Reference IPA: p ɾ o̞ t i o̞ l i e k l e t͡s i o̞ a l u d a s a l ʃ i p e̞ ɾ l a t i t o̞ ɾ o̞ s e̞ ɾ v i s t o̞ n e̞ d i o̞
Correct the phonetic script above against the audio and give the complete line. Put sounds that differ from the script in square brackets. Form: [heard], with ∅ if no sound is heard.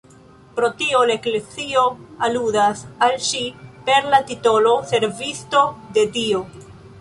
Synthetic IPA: p ɾ o̞ t i o̞ l [a] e k l e t͡s i o̞ a l u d a s a l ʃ i p e̞ ɾ l a t i t o̞ [l] o̞ s e̞ ɾ v i s t o̞ [d] e̞ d i o̞